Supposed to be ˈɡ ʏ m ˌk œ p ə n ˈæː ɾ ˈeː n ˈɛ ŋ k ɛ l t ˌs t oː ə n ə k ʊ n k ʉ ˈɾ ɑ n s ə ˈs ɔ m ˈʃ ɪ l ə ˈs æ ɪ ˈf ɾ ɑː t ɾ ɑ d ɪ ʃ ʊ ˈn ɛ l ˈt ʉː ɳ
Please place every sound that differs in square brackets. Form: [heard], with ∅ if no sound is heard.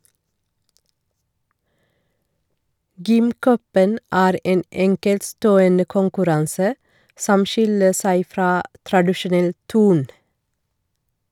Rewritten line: ˈɡ ʏ m ˌk œ p ə n ˈæː ɾ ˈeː n ˈɛ ŋ k ɛ l t ˌs t oː ə n ə k ʊ [ŋ] k ʉ ˈɾ ɑ n s ə ˈs ɔ m ˈʃ ɪ l ə ˈs æ ɪ ˈf ɾ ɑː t ɾ ɑ d ɪ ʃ ʊ ˈn ɛ l ˈt ʉː ɳ